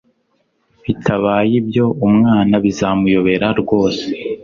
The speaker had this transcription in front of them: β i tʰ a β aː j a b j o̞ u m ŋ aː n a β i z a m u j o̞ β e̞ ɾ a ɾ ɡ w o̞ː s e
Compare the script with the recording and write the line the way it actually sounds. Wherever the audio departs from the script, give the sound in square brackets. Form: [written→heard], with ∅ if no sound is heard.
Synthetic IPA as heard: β i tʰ a β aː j [a→i] b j o̞ u m ŋ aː n a β i z a m u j o̞ β e̞ ɾ a ɾ ɡ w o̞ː s e